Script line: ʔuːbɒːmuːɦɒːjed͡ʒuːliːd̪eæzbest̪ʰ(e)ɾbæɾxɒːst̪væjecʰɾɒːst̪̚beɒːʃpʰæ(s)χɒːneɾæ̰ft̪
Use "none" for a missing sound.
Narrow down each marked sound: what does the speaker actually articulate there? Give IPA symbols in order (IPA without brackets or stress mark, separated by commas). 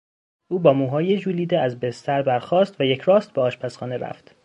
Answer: æ, s